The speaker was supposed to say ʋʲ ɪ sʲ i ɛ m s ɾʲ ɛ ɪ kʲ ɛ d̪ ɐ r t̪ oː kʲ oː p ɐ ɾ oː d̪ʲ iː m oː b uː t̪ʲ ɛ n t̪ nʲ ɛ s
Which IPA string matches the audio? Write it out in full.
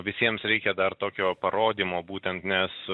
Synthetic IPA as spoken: ʋʲ ɪ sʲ i ɛ m s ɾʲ ɛ ɪ kʲ ɛ d̪ ɐ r t̪ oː kʲ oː p ɐ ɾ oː d̪ʲ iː m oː b uː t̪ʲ ɛ n t̪ nʲ ɛ s